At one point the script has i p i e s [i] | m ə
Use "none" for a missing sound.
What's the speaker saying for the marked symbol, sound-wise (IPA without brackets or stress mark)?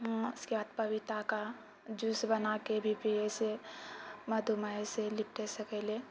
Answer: e